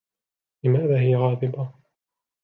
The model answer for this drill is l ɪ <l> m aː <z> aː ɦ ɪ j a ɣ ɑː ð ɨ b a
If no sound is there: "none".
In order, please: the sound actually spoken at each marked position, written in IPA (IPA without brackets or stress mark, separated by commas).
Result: none, ð